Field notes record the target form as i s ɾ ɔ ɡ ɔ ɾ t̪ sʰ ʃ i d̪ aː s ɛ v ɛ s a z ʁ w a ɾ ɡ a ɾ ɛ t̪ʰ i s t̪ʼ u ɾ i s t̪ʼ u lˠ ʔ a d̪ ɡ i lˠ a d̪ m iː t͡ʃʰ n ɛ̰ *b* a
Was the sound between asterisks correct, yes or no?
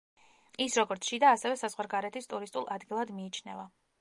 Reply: no